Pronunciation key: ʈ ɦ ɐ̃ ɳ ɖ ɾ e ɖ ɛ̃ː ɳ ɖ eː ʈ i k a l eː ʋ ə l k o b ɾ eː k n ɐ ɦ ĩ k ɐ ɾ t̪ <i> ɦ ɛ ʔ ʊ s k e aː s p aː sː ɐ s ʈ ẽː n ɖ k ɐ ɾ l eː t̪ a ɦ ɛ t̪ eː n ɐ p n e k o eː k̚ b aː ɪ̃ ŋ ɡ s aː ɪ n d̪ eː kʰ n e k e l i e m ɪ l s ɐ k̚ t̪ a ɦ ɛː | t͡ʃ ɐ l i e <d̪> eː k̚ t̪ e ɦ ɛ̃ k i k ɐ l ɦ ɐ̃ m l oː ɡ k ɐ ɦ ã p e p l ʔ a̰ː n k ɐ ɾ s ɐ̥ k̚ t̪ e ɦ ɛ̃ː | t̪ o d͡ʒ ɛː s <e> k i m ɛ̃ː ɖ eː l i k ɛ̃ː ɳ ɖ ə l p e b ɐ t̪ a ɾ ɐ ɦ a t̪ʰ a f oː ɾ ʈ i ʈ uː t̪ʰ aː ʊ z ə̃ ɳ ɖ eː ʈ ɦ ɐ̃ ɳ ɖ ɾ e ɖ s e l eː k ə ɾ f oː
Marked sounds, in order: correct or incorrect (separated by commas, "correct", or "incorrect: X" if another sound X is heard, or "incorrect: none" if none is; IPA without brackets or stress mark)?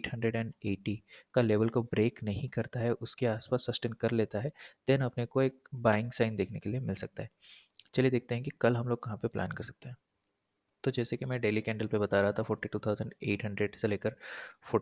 incorrect: a, correct, correct